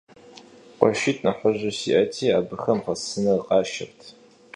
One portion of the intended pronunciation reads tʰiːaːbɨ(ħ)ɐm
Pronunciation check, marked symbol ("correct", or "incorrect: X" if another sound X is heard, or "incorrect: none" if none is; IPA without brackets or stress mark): incorrect: x